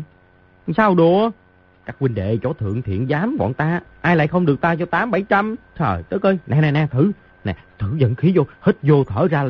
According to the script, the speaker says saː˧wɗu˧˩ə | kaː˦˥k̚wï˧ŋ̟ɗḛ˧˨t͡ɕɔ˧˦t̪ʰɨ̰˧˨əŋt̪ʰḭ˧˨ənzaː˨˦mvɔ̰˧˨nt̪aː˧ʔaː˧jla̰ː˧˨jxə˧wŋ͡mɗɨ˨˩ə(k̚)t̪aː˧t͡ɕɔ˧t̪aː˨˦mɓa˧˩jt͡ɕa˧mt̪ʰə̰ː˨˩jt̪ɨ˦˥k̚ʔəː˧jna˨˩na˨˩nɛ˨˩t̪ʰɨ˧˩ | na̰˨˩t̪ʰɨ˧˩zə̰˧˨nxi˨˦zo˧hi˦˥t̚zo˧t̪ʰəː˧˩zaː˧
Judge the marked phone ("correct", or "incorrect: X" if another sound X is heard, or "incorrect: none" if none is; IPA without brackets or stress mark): correct